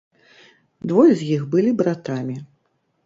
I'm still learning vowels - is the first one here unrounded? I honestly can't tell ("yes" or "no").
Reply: no